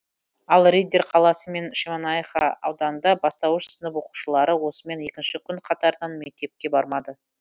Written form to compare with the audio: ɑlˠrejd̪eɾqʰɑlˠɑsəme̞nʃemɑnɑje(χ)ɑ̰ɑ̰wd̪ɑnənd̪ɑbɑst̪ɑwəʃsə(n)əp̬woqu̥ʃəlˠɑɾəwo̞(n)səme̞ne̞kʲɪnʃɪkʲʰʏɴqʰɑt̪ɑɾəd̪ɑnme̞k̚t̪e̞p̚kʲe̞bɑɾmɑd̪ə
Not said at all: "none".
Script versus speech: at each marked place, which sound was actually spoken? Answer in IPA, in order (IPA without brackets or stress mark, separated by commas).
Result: χ, n, none